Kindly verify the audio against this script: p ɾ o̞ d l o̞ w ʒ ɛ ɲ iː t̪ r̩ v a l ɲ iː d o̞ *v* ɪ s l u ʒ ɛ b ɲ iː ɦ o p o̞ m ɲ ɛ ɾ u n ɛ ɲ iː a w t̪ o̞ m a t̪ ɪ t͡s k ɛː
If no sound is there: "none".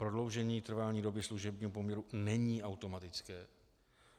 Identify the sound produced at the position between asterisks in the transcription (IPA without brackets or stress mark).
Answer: b